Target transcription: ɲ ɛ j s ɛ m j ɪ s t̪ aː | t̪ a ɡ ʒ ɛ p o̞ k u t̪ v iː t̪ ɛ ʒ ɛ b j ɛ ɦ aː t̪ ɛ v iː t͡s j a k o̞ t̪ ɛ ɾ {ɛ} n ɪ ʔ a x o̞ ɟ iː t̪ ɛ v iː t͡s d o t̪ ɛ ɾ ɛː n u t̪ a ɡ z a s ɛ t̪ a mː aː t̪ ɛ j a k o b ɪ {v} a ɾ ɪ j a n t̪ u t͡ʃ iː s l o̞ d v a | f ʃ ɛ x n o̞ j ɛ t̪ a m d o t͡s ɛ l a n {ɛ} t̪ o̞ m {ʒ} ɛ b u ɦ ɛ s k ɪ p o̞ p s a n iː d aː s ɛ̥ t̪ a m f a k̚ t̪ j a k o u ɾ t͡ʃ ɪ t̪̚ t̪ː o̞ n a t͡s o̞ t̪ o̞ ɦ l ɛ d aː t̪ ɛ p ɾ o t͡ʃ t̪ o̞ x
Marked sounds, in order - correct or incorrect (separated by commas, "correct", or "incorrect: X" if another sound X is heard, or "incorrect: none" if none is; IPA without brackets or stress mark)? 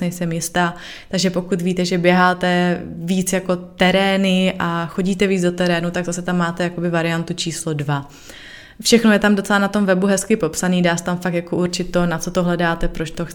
incorrect: ɛː, correct, incorrect: a, incorrect: v